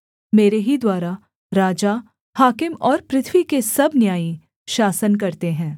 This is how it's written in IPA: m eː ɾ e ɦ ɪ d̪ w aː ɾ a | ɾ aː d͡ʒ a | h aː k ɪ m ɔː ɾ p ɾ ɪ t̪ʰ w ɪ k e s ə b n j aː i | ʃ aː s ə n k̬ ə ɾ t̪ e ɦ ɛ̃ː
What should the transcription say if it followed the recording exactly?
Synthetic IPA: m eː ɾ e ɦ i d̪ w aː ɾ a | ɾ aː d͡ʒ a | h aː k ɪ m ɔː ɾ p ɾ ɪ t̪ʰ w i k e s ɐ b n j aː i | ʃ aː s ə n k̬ ɐ ɾ t̪ e ɦ ɛ̃ː